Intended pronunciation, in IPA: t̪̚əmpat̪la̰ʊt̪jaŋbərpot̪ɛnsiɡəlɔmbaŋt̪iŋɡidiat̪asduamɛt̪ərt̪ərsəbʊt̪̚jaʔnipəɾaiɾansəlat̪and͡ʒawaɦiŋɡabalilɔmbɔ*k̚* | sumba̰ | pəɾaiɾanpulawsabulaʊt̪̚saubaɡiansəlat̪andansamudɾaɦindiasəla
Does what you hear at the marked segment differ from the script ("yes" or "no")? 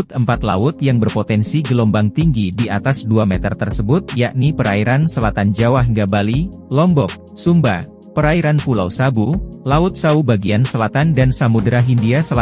no